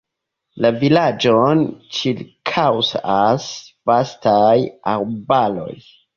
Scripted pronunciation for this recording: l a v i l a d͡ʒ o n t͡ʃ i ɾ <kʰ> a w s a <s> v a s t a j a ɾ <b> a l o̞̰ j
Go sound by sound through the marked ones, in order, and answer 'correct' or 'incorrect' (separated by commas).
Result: correct, correct, correct